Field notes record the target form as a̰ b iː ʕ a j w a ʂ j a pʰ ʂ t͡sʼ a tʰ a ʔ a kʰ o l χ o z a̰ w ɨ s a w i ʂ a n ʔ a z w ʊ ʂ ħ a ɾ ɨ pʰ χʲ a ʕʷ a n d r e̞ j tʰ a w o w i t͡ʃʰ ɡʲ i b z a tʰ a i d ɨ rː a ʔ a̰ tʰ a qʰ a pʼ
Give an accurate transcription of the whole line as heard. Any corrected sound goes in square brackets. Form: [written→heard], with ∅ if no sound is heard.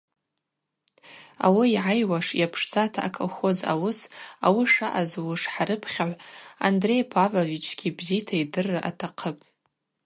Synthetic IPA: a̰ [b→w] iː ʕ a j w a ʂ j a pʰ ʂ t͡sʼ a tʰ a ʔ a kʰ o l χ o z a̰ w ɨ s a w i ʂ a [n→∅] ʔ a z w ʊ ʂ ħ a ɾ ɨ pʰ χʲ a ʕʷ a n d r e̞ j [tʰ→pʰ] a [w→v] o [w→v] i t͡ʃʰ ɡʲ i b z [a→i] tʰ a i d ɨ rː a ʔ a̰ tʰ a qʰ [a→ə] pʼ